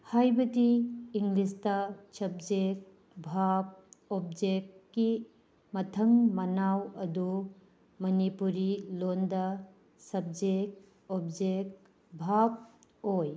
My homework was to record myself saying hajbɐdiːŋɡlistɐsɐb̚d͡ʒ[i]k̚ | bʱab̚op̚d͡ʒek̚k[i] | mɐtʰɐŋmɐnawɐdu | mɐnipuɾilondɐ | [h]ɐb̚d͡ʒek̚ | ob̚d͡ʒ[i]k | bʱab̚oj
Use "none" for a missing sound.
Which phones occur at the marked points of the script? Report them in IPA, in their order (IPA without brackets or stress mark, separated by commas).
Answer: e, i, s, e